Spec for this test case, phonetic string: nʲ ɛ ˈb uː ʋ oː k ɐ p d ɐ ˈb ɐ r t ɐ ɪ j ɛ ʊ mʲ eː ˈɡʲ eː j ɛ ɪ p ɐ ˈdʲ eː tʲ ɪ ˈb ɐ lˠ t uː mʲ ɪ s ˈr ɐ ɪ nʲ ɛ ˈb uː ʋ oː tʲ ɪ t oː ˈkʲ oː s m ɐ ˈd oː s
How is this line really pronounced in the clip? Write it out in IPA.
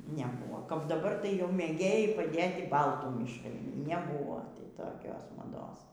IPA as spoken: nʲ ɛ ˈb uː ʋ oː k ɐ p d ɐ ˈb ɐ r t ɐ ɪ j ɛ ʊ mʲ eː ˈɡʲ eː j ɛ ɪ p ɐ ˈdʲ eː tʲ ɪ ˈb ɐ lˠ t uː mʲ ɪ ʃ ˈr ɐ ɪ nʲ ɛ ˈb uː ʋ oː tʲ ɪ t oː ˈkʲ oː s m ɐ ˈd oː s